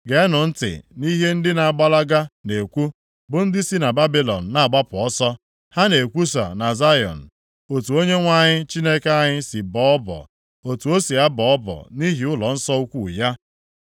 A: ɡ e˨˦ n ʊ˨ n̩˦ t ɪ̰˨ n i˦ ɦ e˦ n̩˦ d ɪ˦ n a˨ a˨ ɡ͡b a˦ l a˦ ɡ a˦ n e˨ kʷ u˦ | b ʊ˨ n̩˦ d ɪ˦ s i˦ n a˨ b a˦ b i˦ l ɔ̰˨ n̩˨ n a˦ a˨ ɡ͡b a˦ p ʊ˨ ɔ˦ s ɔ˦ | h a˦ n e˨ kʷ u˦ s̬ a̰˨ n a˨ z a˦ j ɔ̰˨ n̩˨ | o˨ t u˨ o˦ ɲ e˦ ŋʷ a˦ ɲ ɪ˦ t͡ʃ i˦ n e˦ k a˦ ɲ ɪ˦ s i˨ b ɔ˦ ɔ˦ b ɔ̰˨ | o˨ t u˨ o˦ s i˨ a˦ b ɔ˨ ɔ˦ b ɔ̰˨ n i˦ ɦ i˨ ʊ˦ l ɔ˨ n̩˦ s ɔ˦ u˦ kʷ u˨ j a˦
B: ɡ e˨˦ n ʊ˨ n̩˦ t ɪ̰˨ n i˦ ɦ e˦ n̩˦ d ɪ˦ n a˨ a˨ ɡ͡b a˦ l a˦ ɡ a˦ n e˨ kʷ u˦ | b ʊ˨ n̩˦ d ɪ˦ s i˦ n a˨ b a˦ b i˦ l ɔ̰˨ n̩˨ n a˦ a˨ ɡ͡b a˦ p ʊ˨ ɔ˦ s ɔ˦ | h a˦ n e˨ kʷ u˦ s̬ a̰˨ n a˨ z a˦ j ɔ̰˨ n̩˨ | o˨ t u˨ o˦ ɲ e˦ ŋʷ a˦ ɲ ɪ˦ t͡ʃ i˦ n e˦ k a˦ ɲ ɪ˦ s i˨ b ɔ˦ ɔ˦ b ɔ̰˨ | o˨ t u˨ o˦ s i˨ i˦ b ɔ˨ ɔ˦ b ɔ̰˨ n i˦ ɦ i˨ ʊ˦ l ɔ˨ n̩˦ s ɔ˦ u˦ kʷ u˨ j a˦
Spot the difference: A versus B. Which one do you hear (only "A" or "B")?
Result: A